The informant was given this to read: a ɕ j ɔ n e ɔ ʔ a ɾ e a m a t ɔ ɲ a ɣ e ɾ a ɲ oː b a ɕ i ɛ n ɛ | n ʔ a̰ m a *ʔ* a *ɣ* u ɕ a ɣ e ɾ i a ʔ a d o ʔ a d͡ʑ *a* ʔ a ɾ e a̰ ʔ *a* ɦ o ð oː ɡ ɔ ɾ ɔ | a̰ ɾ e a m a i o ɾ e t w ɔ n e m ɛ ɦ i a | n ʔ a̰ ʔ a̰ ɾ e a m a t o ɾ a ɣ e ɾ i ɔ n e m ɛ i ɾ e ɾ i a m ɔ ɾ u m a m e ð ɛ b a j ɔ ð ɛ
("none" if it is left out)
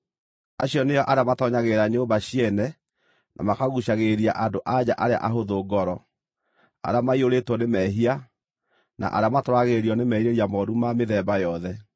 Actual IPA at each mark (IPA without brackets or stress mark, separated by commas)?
k, ɣ, a, a